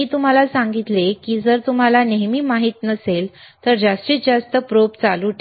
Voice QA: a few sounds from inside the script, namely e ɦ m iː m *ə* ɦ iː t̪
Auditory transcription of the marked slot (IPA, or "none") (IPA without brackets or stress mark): a